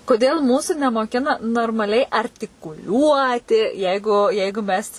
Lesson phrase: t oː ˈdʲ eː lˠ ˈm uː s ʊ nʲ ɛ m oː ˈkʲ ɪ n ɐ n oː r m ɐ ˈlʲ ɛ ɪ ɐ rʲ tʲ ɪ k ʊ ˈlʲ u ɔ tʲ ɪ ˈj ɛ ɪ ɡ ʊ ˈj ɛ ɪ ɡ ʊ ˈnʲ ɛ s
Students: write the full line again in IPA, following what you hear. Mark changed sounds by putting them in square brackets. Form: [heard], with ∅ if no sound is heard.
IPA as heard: [k] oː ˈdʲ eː lˠ ˈm uː s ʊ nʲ ɛ m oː ˈkʲ ɪ n ɐ n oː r m ɐ ˈlʲ ɛ ɪ ɐ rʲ tʲ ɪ k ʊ ˈlʲ u ɔ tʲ ɪ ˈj ɛ ɪ ɡ ʊ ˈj ɛ ɪ ɡ ʊ [ˈmʲ] ɛ s